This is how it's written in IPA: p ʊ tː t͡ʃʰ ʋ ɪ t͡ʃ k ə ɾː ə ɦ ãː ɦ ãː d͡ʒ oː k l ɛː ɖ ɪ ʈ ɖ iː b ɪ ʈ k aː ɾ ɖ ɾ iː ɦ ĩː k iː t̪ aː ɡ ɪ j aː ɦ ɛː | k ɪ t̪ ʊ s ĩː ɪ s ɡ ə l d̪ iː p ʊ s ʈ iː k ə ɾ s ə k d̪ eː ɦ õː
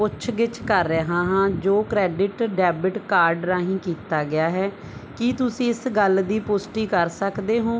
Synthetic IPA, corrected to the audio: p ʊ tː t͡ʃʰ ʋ ɪ t͡ʃ k ə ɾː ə ɦ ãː ɦ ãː d͡ʒ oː k ɾ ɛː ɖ ɪ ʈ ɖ ɛː b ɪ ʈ k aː ɾ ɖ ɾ aː ɦ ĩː k iː t̪ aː ɡ ɪ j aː ɦ ɛː | k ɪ t̪ ʊ s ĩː ɪ s ɡ ə l d̪ iː p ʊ s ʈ iː k ə ɾ s ə k d̪ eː ɦ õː